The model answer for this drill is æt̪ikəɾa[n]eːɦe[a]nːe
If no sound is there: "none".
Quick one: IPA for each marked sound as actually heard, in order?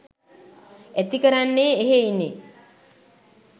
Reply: nː, i

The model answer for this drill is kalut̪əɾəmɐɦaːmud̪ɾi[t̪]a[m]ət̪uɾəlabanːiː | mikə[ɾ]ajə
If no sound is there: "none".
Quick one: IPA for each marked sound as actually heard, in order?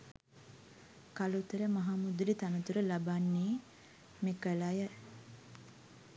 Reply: t̪, n, l

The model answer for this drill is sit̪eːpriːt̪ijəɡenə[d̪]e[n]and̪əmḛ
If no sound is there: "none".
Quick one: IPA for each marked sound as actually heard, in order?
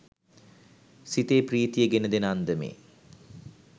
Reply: d̪, n

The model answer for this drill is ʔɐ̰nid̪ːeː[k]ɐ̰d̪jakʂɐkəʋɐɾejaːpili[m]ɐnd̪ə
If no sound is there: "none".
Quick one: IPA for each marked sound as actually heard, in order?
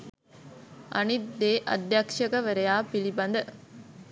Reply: ʔ, b

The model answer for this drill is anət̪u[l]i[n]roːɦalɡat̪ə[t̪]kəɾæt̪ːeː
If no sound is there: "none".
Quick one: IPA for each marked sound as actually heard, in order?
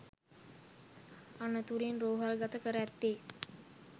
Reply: ɾ, n, none

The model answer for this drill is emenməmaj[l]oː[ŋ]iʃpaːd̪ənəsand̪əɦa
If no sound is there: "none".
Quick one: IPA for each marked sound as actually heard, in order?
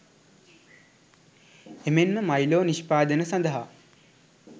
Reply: l, n

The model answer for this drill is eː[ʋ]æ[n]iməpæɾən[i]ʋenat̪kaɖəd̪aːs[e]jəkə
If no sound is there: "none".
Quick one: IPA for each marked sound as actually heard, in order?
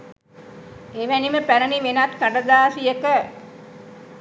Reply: ʋ, n, i, i

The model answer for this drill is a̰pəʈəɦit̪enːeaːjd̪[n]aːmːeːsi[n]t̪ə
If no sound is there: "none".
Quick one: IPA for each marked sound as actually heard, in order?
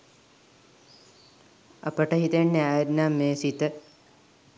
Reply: n, none

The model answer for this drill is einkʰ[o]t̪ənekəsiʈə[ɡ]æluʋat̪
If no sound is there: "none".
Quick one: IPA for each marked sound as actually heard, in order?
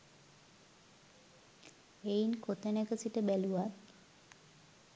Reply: o, b

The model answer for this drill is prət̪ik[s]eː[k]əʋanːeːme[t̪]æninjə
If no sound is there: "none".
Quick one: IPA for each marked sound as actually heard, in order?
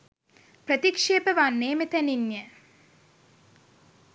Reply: ʂ, p, t̪

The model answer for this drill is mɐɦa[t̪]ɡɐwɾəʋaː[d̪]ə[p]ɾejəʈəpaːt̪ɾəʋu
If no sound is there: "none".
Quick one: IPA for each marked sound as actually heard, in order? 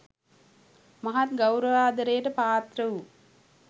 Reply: t̪, d̪, none

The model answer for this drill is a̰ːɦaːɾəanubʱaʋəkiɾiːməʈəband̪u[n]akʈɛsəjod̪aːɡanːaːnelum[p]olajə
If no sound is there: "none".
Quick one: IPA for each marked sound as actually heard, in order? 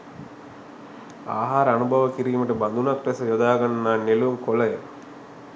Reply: n, k

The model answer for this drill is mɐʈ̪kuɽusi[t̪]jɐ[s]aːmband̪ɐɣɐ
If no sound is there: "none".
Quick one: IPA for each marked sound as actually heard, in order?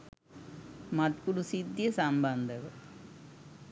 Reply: d̪, s

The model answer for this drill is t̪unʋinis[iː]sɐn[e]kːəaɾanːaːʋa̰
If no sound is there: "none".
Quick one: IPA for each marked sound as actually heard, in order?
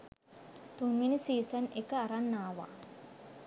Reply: iː, e

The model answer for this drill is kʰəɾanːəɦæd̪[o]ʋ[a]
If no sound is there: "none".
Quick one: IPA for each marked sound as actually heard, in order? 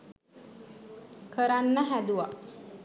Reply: u, a

